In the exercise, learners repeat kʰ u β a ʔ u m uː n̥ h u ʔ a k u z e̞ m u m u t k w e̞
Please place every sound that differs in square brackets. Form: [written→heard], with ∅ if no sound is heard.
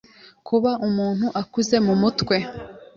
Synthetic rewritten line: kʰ u β a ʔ u m uː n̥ h u ʔ a k u z e̞ m u m u t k w e̞